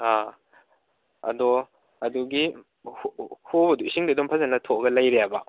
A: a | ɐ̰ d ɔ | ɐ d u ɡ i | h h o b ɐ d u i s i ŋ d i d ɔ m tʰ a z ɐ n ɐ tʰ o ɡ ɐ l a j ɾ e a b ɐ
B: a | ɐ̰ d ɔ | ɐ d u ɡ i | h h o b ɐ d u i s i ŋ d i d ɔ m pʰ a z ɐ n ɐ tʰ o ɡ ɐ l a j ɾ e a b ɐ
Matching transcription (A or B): B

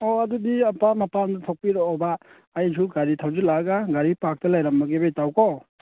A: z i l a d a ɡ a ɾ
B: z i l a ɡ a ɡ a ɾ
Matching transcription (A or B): B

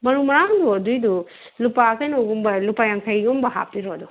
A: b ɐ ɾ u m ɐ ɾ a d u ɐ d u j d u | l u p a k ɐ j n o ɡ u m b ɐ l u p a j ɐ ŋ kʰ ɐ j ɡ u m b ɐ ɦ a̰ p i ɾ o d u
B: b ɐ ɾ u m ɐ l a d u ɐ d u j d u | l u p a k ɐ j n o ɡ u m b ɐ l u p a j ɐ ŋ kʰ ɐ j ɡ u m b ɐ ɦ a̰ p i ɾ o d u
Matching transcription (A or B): A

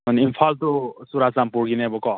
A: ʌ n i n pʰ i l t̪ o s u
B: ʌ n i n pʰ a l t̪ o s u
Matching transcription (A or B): B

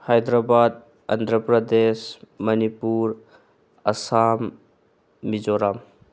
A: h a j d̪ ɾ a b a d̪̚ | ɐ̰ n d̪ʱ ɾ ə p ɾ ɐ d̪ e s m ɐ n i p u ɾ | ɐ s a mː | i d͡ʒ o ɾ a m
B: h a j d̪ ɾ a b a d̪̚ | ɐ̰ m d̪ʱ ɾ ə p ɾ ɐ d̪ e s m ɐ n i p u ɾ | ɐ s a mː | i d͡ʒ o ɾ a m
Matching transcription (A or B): A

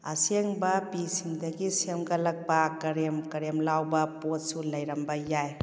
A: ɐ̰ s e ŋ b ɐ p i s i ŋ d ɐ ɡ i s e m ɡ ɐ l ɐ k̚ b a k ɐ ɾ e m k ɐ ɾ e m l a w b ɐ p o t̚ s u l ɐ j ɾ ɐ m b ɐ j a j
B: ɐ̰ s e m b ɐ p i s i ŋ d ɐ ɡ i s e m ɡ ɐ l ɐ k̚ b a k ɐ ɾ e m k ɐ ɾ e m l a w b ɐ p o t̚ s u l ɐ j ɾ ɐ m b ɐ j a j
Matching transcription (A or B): A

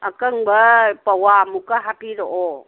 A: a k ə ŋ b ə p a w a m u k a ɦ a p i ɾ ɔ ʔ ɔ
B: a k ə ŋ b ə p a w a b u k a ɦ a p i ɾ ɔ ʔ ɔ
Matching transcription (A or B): A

